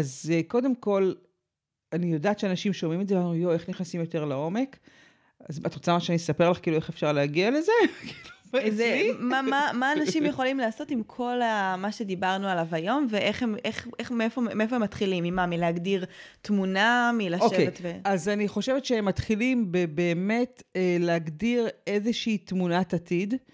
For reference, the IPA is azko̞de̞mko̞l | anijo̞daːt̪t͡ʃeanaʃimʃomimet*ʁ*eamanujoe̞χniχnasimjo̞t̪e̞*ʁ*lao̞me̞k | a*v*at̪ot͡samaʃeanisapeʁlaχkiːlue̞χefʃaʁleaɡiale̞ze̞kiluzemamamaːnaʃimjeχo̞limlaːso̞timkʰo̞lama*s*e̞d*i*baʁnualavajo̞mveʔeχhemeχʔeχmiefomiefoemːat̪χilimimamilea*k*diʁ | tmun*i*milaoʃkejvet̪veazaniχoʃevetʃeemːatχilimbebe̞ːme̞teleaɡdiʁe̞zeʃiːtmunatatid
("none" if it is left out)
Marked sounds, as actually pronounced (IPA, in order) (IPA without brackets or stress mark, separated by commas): z, ʁ, z, ʃ, i, ɡ, a